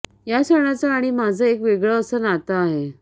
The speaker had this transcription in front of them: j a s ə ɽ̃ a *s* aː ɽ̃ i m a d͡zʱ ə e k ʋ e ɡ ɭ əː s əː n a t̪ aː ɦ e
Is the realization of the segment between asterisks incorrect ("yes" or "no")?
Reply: yes